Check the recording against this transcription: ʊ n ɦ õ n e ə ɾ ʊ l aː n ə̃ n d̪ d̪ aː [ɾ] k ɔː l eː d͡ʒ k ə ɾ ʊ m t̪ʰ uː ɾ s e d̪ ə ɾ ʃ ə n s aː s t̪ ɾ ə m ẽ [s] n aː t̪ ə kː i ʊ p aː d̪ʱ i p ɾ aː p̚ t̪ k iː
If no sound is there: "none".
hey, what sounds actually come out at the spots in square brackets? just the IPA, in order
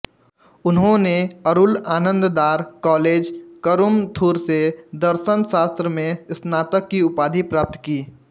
ɾ, s

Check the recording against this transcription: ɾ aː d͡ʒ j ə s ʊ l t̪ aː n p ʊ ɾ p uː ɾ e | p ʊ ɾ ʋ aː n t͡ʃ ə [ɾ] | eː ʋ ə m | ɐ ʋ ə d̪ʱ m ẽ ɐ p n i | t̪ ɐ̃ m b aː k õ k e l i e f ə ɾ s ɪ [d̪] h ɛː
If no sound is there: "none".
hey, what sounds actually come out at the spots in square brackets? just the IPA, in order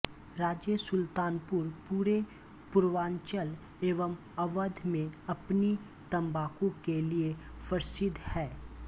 l, d̪

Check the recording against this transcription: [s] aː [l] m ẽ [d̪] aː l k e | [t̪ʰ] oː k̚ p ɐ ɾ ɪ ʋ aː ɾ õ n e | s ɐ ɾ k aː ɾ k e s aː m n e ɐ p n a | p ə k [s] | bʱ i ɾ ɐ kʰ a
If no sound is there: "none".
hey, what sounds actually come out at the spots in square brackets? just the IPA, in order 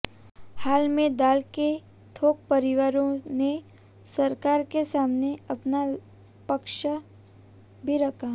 h, l, d̪, t̪ʰ, ʃ

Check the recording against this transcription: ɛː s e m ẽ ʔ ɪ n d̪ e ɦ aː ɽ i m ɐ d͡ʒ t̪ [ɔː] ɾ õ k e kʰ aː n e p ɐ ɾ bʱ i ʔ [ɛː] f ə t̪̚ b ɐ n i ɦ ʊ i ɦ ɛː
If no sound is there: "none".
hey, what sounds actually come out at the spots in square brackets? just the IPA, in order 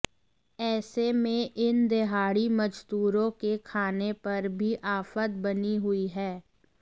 uː, aː

